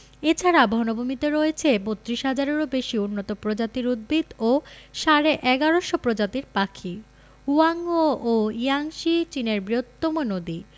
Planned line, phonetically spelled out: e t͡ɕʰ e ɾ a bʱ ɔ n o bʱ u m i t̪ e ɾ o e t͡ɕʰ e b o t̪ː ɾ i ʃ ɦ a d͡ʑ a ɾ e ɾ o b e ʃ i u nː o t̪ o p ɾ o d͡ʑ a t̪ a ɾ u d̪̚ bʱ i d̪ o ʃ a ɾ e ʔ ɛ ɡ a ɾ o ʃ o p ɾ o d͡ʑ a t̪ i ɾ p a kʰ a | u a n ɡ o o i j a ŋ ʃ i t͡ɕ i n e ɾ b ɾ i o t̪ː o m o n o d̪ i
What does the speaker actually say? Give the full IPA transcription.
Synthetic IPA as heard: e t͡ɕʰ a ɾ a bʱ ɔ n o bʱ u m i t̪ e ɾ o e t͡ɕʰ e b o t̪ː ɾ i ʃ ɦ a d͡ʑ a ɾ e ɾ o b e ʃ i u nː o t̪ o p ɾ o d͡ʑ a t̪ i ɾ u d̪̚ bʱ i d̪ o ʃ a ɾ e ʔ ɛ ɡ a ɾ o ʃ o p ɾ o d͡ʑ a t̪ i ɾ p a kʰ i | u a ŋ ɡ o o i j a ŋ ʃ i t͡ɕ i n e ɾ b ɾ i o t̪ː o m o n o d̪ i